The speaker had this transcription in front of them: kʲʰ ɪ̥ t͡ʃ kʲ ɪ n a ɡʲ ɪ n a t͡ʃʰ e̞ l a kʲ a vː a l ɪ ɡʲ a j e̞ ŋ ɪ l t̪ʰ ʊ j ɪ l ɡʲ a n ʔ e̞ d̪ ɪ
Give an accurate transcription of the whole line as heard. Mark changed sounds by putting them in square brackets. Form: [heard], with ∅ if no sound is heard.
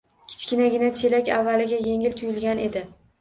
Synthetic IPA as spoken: kʲʰ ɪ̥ t͡ʃ kʲ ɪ n a ɡʲ ɪ n a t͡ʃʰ e̞ l a kʲ a vː a l ɪ ɡʲ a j e̞ ŋ ɪ l t̪ʰ ʊ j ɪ l ɡʲ a n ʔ e̞ d̪ ɪ